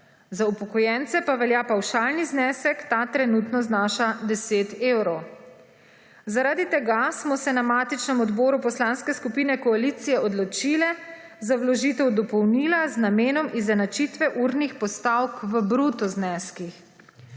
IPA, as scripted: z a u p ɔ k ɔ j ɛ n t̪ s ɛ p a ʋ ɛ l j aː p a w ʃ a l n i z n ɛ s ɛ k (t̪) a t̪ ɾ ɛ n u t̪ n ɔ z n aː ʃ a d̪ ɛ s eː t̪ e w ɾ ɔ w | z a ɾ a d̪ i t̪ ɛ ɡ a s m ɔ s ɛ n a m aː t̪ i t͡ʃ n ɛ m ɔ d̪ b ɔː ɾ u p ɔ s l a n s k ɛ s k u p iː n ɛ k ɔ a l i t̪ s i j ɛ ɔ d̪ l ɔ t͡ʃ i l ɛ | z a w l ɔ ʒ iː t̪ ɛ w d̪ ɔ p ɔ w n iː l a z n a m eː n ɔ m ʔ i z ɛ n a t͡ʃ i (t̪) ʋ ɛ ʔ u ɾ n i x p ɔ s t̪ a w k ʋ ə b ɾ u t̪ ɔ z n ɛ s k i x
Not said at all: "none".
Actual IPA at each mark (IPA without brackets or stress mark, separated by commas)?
t̪, t̪